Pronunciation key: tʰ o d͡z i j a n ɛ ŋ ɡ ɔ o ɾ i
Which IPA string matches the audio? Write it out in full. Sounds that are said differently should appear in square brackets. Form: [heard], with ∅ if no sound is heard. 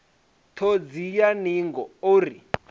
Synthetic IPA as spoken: tʰ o d͡z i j a n [i] ŋ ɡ ɔ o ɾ i